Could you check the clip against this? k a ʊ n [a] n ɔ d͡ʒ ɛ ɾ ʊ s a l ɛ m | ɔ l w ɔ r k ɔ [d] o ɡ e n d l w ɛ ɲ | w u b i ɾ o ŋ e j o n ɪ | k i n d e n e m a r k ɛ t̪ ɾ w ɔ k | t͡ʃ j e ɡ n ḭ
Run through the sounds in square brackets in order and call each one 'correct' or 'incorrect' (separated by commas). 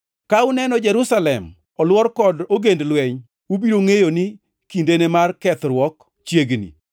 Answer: incorrect, correct